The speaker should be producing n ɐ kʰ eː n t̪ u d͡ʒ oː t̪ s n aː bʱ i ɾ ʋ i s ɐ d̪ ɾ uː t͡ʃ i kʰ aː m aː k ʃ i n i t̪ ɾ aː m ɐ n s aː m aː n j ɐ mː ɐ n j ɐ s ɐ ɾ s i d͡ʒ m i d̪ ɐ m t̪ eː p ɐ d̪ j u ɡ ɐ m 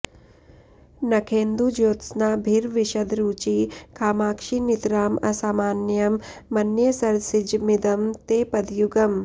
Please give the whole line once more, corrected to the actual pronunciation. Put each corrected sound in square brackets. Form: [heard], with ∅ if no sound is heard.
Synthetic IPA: n ɐ kʰ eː n [d̪] u d͡ʒ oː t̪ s n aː bʱ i ɾ ʋ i [ʃ] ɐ d̪ ɾ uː t͡ʃ i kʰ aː m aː k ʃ i n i t̪ ɾ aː m ɐ [∅] s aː m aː n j ɐ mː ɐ n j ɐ s ɐ ɾ s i d͡ʒ m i d̪ ɐ m t̪ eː p ɐ d̪ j u ɡ ɐ m

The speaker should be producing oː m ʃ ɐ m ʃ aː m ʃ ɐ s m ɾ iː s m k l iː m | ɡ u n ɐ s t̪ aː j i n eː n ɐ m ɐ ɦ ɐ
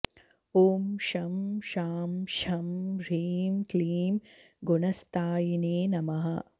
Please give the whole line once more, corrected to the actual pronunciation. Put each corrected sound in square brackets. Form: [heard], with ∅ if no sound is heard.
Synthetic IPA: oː m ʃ ɐ m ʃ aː m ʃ ɐ [∅] m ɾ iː [∅] m k l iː m | ɡ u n ɐ s t̪ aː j i n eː n ɐ m ɐ ɦ ɐ

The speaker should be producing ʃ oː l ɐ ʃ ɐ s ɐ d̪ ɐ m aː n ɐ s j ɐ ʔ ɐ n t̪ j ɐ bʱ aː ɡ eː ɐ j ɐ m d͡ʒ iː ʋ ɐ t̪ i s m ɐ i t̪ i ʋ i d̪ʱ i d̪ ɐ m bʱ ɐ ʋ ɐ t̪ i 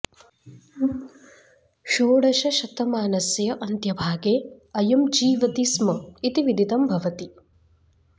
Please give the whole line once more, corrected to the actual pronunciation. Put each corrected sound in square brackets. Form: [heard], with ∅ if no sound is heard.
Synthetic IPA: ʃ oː [ɽ] ɐ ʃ ɐ [ʃ] ɐ [t̪] ɐ m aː n ɐ s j ɐ ʔ ɐ n t̪ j ɐ bʱ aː ɡ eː ɐ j ɐ m d͡ʒ iː ʋ ɐ t̪ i s m ɐ i t̪ i ʋ i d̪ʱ i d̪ ɐ m bʱ ɐ ʋ ɐ t̪ i

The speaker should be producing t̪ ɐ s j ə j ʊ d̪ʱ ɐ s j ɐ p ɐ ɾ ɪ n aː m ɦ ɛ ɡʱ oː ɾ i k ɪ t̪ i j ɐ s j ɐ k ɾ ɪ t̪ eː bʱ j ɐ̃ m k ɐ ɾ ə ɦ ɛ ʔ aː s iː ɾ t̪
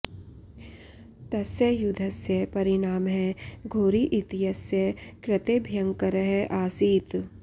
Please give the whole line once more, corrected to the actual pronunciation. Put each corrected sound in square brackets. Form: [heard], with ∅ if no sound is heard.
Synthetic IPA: t̪ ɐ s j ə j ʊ d̪ʱ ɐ s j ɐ p ɐ ɾ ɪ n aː m ɦ ɛ ɡʱ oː ɾ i [ʔ] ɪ t̪ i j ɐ s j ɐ k ɾ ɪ t̪ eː bʱ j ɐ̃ [ŋ] k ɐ ɾ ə ɦ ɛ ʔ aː s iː [∅] t̪

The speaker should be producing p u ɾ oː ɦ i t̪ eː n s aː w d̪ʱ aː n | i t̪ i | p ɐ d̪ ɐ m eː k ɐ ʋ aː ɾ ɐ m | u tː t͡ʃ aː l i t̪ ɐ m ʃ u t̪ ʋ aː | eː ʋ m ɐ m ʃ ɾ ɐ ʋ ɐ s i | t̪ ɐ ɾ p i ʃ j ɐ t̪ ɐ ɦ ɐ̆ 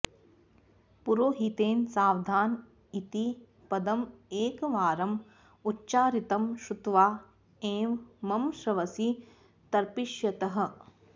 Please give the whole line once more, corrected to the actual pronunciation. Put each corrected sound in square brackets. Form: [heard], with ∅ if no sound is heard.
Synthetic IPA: p u ɾ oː ɦ i t̪ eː n s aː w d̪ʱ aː n | i t̪ i | p ɐ d̪ ɐ m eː k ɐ ʋ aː ɾ ɐ m | u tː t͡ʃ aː [ɾ] i t̪ ɐ m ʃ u t̪ ʋ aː | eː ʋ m ɐ m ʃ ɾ ɐ ʋ ɐ s i | t̪ ɐ ɾ p i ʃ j ɐ t̪ ɐ ɦ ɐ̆

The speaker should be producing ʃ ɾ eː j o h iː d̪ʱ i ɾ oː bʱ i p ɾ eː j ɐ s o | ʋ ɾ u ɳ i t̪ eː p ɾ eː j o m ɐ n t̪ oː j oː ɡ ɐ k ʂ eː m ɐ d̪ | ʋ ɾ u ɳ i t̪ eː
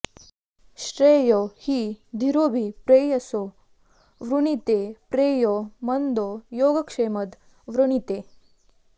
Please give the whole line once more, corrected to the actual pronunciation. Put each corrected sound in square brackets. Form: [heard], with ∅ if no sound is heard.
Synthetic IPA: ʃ ɾ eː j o h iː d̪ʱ i ɾ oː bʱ i p ɾ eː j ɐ s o | ʋ ɾ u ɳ i t̪ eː p ɾ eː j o m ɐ n [d̪] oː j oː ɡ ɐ k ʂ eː m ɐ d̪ | ʋ ɾ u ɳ i t̪ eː

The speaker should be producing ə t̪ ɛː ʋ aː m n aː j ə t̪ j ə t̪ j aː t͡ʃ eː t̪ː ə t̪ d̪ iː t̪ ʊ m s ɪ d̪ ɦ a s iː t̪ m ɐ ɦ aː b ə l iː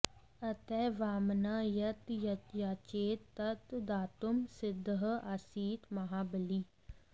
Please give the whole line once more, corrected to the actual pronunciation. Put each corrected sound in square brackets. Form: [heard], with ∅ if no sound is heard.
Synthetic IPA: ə t̪ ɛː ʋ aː m n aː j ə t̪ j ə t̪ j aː t͡ʃ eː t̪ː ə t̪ d̪ [aː] t̪ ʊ m s ɪ d̪ ɦ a s iː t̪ m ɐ ɦ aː b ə l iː

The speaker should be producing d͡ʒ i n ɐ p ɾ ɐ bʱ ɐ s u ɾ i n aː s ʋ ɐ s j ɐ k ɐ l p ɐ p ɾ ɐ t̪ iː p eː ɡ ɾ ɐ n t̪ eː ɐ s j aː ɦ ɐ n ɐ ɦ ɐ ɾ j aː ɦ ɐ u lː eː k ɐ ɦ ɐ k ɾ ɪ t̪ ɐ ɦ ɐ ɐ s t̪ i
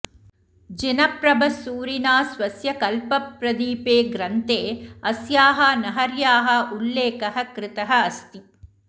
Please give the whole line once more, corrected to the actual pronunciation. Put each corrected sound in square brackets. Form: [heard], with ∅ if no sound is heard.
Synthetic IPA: d͡ʒ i n ɐ p ɾ ɐ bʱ ɐ s [uː] ɾ i n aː s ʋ ɐ s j ɐ k ɐ l p ɐ p ɾ ɐ [d̪] iː p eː ɡ ɾ ɐ n t̪ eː ɐ s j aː ɦ ɐ n ɐ ɦ ɐ ɾ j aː ɦ ɐ u lː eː k ɐ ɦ ɐ k ɾ ɪ t̪ ɐ ɦ ɐ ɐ s t̪ i

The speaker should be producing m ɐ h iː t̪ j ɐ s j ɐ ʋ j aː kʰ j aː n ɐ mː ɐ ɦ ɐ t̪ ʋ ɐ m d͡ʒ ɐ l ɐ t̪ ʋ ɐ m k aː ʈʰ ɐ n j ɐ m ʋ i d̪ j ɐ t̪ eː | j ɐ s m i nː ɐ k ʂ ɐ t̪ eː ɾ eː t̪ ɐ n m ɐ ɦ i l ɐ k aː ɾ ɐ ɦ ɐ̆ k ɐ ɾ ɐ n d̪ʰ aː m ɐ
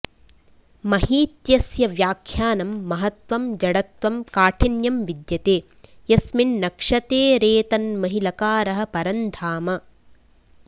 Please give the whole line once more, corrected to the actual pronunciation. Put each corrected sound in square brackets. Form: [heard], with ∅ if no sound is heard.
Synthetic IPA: m ɐ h iː t̪ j ɐ s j ɐ ʋ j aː kʰ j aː n ɐ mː ɐ ɦ ɐ t̪ ʋ ɐ m d͡ʒ ɐ [ɽ] ɐ t̪ ʋ ɐ m k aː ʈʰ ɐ n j ɐ m ʋ i d̪ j ɐ t̪ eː | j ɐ s m i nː ɐ k ʂ ɐ t̪ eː ɾ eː t̪ ɐ n m ɐ ɦ i l ɐ k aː ɾ ɐ ɦ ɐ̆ [p] ɐ ɾ ɐ n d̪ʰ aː m ɐ

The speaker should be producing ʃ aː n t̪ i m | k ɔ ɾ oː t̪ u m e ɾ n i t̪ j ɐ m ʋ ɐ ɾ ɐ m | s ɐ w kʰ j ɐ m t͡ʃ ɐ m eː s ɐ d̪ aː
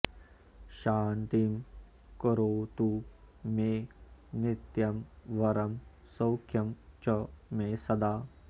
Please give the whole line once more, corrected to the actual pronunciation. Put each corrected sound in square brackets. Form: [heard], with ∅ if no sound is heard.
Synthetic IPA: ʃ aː n t̪ i m | k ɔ ɾ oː t̪ u m e [∅] n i t̪ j ɐ m ʋ ɐ ɾ ɐ m | s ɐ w kʰ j ɐ m t͡ʃ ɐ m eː s ɐ d̪ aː

